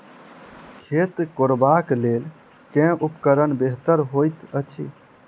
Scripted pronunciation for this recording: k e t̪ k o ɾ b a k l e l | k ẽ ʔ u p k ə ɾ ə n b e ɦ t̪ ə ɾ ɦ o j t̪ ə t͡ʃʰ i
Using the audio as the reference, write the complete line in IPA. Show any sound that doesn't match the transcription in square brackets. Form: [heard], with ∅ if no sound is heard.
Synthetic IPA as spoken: [kʰ] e t̪ k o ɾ b a k l e l | k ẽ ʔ u p k ə ɾ ə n b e ɦ t̪ ə ɾ ɦ o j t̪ ə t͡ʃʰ i